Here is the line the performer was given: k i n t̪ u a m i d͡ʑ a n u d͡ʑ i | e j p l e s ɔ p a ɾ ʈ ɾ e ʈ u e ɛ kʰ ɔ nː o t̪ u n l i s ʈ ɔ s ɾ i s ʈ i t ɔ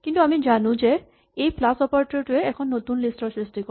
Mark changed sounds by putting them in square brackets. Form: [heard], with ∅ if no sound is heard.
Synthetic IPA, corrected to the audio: k i n t̪ u a m i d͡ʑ a n u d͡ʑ [e] | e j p l [a] s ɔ p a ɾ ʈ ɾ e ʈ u e ɛ kʰ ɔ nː o t̪ u n l i s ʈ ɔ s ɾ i s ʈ i [k] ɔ